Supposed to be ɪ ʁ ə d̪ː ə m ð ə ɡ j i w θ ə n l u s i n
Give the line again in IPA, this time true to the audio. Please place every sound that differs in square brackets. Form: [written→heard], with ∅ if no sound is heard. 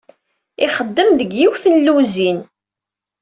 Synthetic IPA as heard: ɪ [ʁ→χ] ə d̪ː ə m ð ə ɡ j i w θ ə n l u [s→z] i n